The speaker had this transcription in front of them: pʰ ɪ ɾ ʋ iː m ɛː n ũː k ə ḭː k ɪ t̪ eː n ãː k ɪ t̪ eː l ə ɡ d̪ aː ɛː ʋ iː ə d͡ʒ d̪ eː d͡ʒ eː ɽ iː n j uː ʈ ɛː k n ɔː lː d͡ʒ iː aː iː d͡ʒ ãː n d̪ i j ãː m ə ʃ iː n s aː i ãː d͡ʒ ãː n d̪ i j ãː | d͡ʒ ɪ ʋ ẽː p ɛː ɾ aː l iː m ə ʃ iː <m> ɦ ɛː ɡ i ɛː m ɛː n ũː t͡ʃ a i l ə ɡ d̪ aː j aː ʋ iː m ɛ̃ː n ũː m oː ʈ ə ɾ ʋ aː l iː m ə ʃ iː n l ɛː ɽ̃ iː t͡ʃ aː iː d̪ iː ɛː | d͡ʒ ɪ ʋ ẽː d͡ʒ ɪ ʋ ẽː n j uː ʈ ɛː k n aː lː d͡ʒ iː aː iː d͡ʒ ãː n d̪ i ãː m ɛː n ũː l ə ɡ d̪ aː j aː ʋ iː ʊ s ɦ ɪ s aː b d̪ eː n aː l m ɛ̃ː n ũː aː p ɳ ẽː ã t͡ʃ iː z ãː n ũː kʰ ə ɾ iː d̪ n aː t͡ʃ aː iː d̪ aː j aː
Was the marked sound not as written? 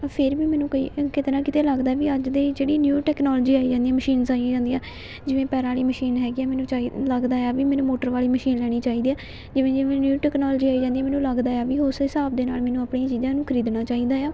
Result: yes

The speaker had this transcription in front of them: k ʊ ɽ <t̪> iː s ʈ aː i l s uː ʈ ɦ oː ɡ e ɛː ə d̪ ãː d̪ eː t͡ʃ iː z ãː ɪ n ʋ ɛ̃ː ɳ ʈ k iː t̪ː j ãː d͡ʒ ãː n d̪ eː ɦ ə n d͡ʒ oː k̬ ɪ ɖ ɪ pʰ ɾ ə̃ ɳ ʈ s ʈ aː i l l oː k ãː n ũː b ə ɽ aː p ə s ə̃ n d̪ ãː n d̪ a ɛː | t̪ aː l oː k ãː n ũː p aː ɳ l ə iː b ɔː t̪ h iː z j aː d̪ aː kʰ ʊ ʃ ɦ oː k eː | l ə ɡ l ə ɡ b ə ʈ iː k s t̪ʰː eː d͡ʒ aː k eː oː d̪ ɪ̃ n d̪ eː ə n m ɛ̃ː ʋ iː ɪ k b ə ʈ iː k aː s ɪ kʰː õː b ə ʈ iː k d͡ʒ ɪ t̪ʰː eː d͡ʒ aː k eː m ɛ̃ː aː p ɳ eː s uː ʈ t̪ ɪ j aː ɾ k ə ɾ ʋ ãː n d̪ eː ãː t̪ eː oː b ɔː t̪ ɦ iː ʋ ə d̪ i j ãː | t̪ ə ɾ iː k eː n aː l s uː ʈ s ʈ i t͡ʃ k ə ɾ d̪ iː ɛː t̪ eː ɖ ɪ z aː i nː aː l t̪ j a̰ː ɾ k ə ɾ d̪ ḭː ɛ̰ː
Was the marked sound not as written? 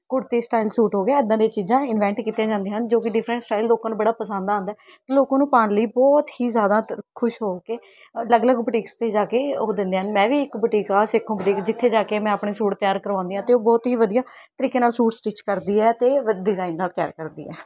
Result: no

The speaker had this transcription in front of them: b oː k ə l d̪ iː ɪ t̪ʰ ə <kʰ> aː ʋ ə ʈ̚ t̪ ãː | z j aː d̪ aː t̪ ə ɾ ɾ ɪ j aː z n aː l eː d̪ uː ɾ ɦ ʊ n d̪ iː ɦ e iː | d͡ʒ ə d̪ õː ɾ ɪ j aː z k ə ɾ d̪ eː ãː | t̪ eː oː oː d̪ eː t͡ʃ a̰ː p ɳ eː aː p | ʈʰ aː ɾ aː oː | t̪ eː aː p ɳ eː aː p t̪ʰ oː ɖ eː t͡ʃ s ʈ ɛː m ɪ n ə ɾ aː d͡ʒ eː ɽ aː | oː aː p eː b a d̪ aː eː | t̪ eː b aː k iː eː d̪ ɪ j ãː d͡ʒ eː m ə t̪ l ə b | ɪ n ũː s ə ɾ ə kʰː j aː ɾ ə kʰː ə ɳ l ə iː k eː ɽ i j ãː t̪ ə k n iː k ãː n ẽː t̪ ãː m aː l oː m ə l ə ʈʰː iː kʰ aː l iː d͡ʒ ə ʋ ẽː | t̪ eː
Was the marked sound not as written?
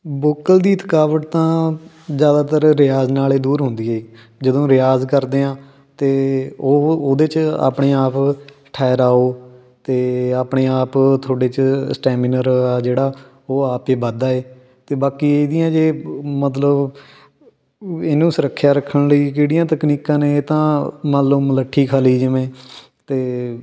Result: yes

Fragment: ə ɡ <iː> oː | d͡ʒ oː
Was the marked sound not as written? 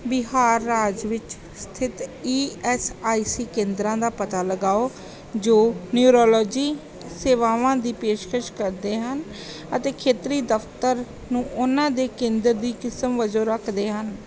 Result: yes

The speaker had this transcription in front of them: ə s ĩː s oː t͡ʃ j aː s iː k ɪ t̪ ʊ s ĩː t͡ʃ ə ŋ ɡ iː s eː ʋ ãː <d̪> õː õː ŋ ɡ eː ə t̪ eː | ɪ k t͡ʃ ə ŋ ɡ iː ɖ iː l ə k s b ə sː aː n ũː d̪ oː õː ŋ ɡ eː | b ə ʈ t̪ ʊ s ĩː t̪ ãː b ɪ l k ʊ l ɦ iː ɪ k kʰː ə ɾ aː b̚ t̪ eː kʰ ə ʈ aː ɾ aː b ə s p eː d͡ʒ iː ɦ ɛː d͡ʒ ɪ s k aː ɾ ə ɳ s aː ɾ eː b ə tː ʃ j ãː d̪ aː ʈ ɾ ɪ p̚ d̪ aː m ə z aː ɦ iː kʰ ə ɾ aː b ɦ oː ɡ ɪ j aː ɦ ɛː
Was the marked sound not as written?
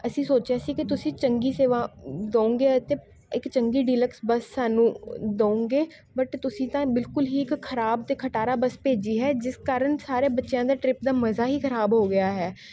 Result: no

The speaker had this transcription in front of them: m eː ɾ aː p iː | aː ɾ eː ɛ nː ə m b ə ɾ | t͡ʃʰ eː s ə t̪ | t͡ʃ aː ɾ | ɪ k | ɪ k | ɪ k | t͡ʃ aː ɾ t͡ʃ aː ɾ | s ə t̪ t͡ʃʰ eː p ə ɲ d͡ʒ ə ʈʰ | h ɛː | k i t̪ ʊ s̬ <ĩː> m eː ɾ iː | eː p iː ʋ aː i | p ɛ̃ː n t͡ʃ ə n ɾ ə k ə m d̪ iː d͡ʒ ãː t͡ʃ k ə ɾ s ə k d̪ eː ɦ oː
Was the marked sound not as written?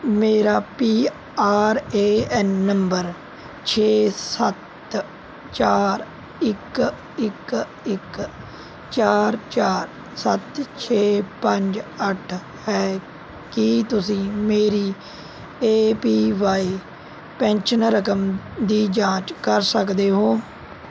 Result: no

